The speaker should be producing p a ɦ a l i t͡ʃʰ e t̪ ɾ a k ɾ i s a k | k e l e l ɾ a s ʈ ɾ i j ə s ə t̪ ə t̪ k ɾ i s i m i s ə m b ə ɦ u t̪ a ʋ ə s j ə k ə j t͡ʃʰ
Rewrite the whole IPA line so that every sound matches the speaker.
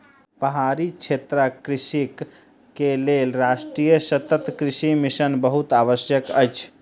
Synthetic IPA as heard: p ə ɦ a ɾ i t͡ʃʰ e t̪ ɾ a k ɾ i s i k | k e l e l ɾ a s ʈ ɾ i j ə s ə t̪ ə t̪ k ɾ i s i m i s ə n b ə ɦ u t̪ a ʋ ə s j ə k ə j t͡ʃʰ